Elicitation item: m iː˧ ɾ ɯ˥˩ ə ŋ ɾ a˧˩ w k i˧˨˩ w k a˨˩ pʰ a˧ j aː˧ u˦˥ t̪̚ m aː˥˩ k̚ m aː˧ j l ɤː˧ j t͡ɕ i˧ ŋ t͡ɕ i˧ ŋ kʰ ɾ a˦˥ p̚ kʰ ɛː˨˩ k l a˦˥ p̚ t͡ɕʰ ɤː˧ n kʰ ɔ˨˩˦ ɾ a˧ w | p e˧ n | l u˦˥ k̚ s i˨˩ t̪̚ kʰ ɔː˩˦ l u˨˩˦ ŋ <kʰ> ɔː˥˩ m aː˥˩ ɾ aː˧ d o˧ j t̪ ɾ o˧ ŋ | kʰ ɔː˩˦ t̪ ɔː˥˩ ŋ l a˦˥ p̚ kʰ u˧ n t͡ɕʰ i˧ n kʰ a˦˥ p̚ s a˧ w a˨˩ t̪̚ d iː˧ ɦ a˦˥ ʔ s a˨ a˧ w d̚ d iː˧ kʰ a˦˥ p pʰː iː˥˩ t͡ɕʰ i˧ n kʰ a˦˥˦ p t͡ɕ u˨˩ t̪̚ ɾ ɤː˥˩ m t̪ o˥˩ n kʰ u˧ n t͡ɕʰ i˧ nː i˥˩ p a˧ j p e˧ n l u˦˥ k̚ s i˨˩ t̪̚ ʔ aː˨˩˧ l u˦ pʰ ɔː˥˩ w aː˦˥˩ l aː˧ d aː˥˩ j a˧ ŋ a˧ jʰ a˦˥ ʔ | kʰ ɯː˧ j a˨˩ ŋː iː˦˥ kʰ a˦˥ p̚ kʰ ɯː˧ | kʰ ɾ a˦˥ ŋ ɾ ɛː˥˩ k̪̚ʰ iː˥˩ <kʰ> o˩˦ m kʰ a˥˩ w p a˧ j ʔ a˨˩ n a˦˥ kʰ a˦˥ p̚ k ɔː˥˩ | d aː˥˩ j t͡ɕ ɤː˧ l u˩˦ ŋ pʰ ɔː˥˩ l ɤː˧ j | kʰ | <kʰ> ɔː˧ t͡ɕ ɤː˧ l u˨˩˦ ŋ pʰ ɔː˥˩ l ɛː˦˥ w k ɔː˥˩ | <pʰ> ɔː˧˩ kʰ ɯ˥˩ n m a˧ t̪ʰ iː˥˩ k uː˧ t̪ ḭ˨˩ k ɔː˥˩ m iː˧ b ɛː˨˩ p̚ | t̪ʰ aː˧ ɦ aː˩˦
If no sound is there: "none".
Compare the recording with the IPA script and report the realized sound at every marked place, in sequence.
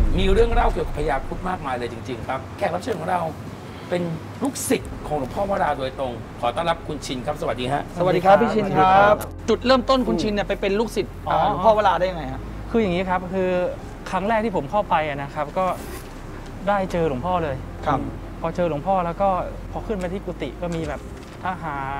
pʰ, pʰ, pʰ, pʰ

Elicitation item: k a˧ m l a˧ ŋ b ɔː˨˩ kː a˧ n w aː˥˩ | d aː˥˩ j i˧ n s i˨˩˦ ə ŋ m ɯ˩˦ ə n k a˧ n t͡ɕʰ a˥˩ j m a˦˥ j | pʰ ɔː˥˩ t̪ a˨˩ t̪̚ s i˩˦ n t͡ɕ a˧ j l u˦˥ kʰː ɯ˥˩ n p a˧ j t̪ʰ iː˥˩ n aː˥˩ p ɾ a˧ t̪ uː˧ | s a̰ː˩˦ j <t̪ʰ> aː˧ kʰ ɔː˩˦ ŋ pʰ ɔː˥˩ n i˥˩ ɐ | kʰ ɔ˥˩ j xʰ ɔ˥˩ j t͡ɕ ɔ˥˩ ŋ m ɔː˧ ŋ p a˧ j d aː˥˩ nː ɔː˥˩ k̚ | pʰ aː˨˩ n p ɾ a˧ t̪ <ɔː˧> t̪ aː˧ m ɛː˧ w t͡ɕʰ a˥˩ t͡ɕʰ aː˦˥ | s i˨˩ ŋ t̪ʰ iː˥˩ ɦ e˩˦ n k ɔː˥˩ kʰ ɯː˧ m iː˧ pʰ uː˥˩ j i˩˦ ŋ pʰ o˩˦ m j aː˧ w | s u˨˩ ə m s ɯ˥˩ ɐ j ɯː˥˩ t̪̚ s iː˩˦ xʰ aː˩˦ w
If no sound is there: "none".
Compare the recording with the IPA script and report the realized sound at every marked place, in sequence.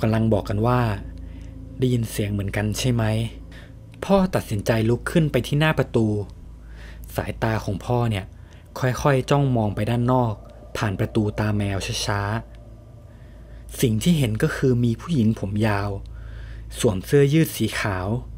t̪, uː˧

